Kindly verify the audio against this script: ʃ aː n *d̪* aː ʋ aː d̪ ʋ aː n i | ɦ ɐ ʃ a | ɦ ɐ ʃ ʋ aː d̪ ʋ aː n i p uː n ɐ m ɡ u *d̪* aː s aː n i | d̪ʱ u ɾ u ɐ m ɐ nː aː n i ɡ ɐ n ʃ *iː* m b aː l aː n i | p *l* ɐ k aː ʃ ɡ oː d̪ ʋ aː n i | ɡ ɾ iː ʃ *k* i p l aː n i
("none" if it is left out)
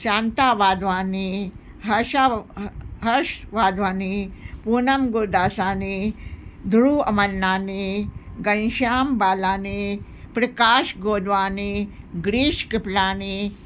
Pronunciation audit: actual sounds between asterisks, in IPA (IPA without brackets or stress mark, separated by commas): t̪, d̪, aː, ɾ, k